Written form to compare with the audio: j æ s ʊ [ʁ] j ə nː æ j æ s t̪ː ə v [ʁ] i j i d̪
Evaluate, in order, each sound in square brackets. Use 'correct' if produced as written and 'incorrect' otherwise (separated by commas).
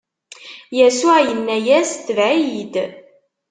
incorrect, incorrect